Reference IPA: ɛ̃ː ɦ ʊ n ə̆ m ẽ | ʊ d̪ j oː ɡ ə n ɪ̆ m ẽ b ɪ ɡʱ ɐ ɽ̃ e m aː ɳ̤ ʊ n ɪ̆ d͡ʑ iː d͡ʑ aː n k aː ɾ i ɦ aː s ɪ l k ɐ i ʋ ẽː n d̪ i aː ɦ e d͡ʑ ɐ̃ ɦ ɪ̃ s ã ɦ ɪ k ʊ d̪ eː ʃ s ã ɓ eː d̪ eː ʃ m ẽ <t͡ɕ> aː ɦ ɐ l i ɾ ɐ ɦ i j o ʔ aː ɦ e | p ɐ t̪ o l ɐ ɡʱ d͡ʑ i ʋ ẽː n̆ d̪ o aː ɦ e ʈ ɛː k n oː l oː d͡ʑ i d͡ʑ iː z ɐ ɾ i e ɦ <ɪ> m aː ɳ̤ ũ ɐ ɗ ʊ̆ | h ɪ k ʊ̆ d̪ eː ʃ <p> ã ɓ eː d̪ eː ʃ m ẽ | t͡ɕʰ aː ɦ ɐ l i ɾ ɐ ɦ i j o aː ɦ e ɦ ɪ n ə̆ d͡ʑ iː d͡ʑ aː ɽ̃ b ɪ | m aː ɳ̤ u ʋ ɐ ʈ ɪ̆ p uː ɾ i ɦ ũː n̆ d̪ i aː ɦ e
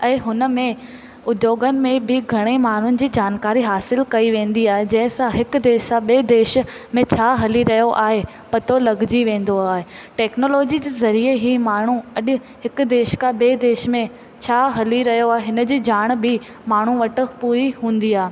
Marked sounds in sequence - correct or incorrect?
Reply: incorrect: t͡ɕʰ, incorrect: i, incorrect: k

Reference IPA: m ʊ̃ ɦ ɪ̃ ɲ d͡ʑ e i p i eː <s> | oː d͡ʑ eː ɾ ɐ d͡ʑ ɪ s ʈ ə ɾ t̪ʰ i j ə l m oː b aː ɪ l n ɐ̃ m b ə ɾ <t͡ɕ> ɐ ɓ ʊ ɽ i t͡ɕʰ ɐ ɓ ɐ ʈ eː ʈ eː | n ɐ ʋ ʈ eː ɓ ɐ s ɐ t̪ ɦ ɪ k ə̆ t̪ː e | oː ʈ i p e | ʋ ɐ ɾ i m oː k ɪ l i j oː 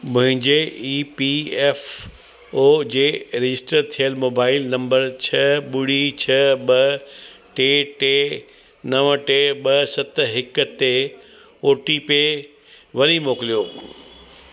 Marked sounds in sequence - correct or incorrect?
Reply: incorrect: f, incorrect: t͡ɕʰ

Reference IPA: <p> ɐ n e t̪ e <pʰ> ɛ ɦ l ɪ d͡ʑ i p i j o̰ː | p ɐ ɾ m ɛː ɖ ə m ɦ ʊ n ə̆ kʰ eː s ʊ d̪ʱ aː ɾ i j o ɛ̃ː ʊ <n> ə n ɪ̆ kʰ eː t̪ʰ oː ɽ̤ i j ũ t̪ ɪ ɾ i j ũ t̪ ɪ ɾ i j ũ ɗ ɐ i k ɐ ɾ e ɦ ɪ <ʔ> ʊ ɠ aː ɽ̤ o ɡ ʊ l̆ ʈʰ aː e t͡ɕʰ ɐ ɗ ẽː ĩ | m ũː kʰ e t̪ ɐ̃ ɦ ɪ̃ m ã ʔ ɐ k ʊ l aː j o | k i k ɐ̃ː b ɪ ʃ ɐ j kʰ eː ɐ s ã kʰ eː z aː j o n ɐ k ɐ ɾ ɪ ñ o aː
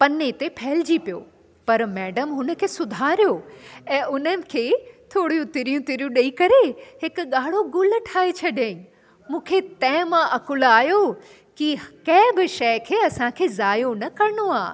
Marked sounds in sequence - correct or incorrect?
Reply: correct, correct, correct, incorrect: k

